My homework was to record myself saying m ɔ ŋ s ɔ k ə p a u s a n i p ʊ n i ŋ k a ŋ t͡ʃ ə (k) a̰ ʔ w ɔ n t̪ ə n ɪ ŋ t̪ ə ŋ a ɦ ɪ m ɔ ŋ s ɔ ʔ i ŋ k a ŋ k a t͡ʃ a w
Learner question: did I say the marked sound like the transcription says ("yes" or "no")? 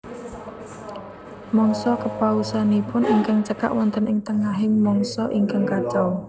yes